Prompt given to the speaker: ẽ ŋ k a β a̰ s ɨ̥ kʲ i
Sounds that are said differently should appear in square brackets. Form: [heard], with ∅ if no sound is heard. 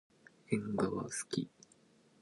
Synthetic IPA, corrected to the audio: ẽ ŋ [ɡ] a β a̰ s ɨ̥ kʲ i